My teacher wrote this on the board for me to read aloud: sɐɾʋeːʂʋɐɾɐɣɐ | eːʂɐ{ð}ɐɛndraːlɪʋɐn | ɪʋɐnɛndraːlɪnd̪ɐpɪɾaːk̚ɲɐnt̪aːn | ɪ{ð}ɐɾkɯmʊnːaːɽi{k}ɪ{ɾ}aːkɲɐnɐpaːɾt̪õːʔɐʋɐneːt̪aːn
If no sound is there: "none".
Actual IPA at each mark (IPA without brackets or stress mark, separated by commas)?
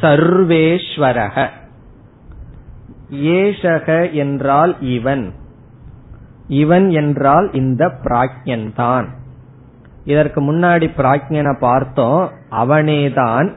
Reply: ɣ, ð, p, ɾ